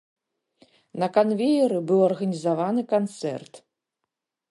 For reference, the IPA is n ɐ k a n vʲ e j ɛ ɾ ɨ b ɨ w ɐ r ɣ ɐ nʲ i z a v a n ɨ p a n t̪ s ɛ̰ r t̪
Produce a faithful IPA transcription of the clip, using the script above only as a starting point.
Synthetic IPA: n ɐ k a n vʲ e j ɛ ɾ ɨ b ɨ w ɐ r ɣ ɐ nʲ i z a v a n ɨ k a n t̪ s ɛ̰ r t̪